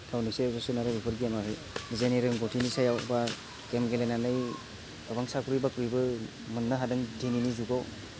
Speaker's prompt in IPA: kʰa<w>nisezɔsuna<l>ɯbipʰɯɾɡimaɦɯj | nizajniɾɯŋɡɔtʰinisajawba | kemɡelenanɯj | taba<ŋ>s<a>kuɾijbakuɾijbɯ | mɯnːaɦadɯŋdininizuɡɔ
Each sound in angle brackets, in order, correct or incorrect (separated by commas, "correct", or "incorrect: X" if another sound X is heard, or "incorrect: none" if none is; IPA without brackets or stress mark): correct, incorrect: ɾ, correct, correct